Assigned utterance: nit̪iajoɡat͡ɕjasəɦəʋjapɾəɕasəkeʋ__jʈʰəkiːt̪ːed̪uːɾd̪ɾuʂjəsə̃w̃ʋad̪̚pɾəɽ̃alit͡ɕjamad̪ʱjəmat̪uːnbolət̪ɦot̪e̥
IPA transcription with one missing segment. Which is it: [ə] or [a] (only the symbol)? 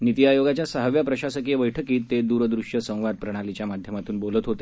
ə